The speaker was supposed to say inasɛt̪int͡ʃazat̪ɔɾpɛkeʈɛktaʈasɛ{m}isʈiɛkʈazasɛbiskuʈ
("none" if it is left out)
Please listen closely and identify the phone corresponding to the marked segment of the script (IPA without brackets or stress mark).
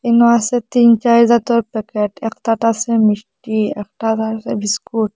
m